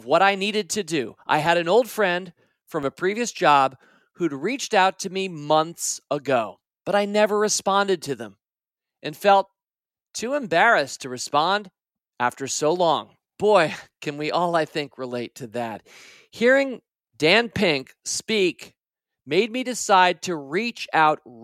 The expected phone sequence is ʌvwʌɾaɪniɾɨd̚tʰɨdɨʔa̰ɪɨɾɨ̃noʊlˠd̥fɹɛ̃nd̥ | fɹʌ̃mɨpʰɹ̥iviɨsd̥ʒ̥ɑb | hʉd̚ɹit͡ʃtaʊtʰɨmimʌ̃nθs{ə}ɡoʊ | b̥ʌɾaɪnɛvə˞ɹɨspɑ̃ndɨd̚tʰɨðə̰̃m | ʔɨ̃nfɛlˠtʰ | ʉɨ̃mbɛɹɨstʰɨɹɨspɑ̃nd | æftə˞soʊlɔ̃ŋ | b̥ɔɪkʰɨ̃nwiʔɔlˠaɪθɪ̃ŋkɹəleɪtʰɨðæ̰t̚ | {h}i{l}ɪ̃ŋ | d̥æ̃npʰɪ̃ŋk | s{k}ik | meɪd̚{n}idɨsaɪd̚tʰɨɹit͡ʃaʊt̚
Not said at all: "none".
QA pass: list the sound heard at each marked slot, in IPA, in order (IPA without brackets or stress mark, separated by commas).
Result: ə, h, ɹ, p, m